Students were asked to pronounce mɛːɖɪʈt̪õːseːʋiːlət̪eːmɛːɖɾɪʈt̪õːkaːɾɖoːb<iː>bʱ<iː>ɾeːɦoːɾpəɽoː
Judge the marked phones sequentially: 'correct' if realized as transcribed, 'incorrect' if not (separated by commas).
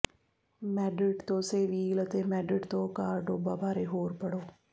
incorrect, incorrect